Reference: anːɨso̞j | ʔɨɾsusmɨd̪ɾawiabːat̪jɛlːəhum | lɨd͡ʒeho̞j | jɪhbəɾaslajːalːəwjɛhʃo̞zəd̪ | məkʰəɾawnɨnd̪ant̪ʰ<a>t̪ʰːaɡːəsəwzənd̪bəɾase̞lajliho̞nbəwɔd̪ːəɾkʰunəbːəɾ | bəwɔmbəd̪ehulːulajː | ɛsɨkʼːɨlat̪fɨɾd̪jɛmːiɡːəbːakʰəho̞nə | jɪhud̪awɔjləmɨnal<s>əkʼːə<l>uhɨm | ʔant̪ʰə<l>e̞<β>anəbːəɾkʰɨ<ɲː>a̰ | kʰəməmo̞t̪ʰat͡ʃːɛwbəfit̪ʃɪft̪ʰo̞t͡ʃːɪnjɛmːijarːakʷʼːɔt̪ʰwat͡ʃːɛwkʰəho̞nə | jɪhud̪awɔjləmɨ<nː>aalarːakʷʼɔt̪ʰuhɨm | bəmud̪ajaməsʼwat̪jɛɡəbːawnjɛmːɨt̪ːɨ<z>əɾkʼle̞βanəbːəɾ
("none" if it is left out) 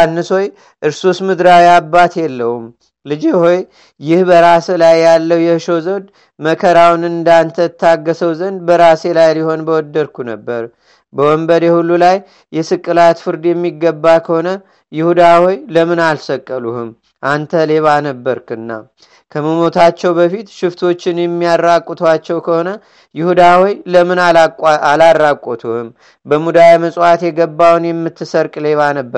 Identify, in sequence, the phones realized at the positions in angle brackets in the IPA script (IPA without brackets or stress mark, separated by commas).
ə, s, l, l, β, nː, n, s